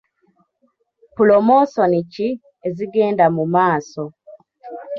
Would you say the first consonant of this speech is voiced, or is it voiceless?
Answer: voiceless